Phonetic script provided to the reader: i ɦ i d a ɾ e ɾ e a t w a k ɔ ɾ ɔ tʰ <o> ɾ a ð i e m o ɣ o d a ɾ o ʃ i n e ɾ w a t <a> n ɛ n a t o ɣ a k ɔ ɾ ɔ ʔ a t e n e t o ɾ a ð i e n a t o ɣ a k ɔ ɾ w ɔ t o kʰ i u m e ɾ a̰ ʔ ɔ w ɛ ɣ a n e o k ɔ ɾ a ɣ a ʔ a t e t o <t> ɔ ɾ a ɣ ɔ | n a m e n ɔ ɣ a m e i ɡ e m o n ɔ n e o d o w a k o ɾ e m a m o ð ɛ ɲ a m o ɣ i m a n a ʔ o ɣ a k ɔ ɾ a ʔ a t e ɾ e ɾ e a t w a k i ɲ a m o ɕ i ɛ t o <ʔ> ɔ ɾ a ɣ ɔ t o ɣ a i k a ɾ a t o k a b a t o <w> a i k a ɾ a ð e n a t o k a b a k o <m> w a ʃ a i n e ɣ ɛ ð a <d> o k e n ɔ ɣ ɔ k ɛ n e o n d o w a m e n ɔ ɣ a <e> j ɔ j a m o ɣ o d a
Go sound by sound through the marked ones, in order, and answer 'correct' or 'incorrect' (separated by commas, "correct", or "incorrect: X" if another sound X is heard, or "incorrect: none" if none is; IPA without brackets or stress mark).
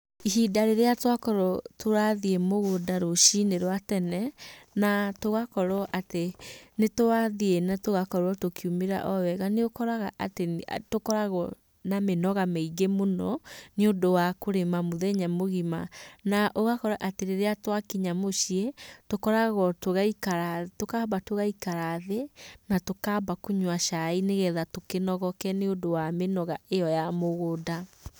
correct, incorrect: ɛ, incorrect: k, incorrect: k, incorrect: ɣ, incorrect: ɲ, incorrect: t, correct